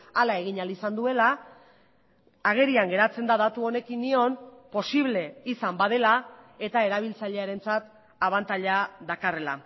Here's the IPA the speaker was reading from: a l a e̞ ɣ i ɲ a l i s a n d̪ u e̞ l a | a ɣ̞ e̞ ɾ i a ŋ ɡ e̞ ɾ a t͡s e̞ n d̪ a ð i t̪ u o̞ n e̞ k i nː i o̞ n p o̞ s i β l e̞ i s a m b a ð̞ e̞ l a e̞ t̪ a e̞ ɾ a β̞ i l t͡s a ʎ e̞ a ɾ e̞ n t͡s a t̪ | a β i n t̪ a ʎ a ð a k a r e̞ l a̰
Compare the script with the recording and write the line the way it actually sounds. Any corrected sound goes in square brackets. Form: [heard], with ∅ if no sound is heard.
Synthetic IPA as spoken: a l a e̞ ɣ i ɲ a l i s a n d̪ u e̞ l a | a ɣ̞ e̞ ɾ i a ŋ ɡ e̞ ɾ a t͡s e̞ n d̪ a ð [a] t̪ u o̞ n e̞ k i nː i o̞ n p o̞ s i β l e̞ i s a m b a ð̞ e̞ l a e̞ t̪ a e̞ ɾ a β̞ i l t͡s a ʎ e̞ a ɾ e̞ n t͡s a t̪ | a β [a] n t̪ a ʎ a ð a k a r e̞ l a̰